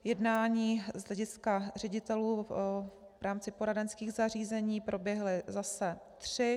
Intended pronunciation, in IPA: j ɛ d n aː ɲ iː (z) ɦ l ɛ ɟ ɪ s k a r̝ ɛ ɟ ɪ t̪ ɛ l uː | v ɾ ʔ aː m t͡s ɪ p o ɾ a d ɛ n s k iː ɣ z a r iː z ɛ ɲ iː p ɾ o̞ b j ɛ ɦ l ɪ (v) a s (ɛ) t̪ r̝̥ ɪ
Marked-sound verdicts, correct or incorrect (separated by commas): correct, incorrect, correct